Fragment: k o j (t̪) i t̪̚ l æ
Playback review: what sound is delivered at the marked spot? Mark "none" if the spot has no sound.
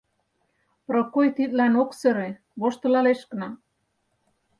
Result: t̪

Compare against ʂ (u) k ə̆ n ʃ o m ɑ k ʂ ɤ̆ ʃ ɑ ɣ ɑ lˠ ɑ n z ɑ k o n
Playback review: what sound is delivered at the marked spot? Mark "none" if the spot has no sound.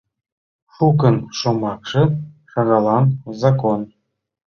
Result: u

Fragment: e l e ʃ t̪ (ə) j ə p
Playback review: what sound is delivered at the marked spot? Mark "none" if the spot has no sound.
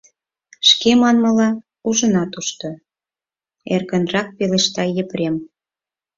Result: ɑ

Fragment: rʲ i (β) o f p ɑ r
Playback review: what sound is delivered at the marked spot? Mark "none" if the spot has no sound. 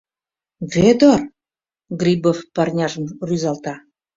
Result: b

